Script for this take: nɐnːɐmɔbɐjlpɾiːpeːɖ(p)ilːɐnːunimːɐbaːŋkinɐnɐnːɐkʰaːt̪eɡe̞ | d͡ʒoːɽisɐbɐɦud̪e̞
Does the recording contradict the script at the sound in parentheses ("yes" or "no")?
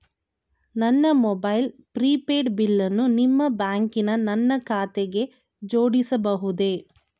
yes